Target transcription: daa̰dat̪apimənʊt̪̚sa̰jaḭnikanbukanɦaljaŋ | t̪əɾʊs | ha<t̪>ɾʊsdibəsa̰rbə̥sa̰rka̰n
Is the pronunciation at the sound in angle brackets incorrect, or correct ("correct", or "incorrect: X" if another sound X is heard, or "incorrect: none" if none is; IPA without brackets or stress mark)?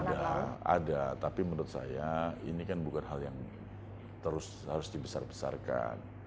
incorrect: none